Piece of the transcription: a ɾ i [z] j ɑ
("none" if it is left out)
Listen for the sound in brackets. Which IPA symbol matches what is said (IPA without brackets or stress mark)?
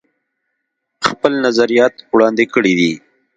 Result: none